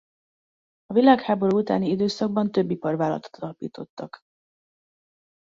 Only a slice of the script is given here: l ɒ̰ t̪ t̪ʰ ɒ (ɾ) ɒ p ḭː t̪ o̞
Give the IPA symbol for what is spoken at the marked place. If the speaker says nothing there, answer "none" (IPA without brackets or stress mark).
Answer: l